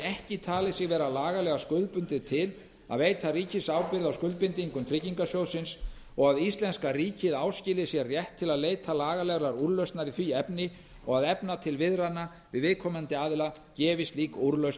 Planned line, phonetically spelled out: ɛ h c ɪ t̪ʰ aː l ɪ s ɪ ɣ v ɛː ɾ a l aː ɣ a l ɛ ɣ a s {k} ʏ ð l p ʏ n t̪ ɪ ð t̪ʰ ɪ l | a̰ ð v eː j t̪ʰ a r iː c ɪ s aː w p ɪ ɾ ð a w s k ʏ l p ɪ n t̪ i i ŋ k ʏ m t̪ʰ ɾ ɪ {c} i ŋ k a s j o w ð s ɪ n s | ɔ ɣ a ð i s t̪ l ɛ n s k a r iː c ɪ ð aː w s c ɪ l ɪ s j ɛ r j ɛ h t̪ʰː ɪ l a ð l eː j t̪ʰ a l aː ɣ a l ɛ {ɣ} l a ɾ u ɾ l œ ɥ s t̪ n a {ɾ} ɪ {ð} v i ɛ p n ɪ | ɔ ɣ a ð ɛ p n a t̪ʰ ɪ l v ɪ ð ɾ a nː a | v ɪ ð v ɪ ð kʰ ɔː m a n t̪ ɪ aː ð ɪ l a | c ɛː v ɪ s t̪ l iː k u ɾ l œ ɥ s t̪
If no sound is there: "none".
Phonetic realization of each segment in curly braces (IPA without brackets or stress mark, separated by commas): k, c, ɣ, ɾ, θ